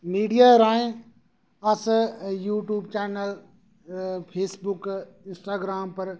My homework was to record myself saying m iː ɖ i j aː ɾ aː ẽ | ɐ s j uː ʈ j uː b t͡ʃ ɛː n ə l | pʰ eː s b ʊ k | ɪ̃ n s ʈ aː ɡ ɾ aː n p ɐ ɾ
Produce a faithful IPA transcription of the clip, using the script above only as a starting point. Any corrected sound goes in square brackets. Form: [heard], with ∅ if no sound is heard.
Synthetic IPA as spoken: m iː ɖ i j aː ɾ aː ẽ | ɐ s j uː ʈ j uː b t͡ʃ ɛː n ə l | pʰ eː s b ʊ k | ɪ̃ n s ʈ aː ɡ ɾ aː [m] p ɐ ɾ

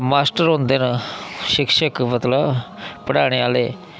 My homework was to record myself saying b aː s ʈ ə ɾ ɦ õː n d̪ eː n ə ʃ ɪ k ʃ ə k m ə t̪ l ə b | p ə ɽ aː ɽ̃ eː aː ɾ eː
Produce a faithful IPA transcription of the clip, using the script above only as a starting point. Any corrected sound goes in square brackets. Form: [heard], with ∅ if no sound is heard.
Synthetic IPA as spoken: [m] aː s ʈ ə ɾ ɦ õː n d̪ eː n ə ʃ ɪ k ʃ ə k m ə t̪ l ə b | p ə ɽ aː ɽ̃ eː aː [l] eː

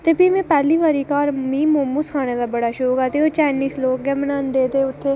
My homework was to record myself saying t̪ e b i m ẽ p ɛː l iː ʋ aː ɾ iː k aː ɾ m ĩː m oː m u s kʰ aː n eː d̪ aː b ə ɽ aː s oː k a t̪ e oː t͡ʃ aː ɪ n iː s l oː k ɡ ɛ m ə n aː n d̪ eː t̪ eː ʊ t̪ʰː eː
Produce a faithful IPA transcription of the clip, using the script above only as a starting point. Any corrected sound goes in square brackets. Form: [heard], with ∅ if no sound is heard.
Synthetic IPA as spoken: t̪ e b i m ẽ p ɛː l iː ʋ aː ɾ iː k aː ɾ m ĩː m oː m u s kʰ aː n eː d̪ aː b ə ɽ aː [ʃ] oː k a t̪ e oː t͡ʃ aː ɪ n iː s l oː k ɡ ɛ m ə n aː n d̪ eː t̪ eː ʊ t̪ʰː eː

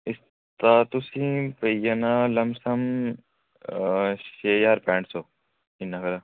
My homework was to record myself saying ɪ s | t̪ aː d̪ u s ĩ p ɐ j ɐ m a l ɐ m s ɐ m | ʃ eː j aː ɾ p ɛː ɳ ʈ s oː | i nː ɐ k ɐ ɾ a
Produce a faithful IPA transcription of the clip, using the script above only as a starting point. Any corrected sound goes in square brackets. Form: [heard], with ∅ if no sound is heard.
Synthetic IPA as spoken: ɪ s | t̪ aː [t̪] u s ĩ p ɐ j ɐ [n] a l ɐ m s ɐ m | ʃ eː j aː ɾ p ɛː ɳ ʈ s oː | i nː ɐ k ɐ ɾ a

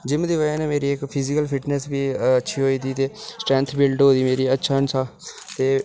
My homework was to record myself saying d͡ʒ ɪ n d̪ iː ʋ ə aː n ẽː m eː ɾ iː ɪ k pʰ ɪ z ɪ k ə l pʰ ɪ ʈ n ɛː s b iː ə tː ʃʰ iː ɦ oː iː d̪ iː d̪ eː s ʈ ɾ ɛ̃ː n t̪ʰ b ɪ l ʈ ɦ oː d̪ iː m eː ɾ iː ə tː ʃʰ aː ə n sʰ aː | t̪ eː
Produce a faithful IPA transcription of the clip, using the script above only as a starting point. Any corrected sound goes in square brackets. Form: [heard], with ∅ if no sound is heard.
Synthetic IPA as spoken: d͡ʒ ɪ [m] d̪ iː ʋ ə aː n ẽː m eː ɾ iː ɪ k pʰ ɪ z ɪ k ə l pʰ ɪ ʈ n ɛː s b iː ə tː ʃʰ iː ɦ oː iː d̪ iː [t̪] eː s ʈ ɾ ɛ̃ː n t̪ʰ b ɪ l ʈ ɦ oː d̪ iː m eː ɾ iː ə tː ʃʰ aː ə n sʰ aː | t̪ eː

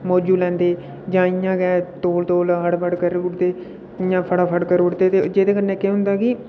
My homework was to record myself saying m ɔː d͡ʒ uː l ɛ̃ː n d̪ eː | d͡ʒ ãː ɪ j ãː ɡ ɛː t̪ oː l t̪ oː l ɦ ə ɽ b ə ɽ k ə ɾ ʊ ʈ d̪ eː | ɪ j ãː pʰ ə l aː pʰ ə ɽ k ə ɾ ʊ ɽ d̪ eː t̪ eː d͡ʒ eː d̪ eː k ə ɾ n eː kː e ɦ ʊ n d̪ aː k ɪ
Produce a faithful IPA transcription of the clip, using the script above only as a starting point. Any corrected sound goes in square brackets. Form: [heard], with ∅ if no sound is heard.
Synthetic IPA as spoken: m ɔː d͡ʒ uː l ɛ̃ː n d̪ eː | d͡ʒ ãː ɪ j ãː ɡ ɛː t̪ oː l t̪ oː l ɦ ə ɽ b ə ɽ k ə ɾ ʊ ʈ d̪ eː | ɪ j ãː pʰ ə [ɽ] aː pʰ ə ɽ k ə ɾ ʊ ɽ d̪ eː t̪ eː d͡ʒ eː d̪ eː k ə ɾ n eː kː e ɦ ʊ n d̪ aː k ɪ

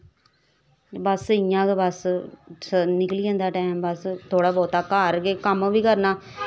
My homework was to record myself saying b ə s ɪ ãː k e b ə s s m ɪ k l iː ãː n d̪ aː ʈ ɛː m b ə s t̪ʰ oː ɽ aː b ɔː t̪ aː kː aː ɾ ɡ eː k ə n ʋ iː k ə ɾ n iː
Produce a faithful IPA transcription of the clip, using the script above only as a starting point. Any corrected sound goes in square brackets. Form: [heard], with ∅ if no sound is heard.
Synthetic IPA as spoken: b ə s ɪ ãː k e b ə s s [n] ɪ k l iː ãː n d̪ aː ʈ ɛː m b ə s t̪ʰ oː ɽ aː b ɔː t̪ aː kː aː ɾ ɡ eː k ə [m] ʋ iː k ə ɾ n [aː]

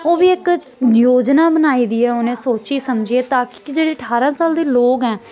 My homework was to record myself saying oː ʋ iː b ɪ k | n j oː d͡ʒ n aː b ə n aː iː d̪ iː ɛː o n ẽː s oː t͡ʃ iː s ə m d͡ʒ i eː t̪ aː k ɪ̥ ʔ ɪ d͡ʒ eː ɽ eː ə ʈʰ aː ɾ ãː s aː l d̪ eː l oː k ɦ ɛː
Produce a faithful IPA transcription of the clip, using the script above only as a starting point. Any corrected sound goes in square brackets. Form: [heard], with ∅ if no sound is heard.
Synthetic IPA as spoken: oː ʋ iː [∅] ɪ k | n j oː d͡ʒ n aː b ə n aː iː d̪ iː ɛː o n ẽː s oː t͡ʃ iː s ə m d͡ʒ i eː t̪ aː k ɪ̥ [k] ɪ d͡ʒ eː ɽ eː ə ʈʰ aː ɾ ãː s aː l d̪ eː l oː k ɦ ɛː

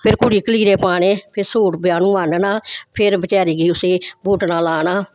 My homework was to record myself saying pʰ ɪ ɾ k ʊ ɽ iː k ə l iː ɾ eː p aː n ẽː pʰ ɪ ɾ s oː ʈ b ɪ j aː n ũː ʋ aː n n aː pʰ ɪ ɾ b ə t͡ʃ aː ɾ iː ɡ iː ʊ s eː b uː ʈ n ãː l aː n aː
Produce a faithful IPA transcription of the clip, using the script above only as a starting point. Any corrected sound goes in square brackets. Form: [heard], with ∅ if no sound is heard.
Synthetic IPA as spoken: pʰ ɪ ɾ k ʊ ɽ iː k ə l iː ɾ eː p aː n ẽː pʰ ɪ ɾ s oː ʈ b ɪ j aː n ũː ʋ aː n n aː pʰ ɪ ɾ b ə t͡ʃ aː ɾ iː ɡ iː ʊ s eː b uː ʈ n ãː l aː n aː

